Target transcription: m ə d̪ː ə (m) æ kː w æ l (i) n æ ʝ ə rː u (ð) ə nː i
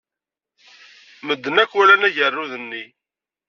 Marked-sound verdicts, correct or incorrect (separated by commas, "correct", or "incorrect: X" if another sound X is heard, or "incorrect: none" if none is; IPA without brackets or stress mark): incorrect: n, incorrect: æ, correct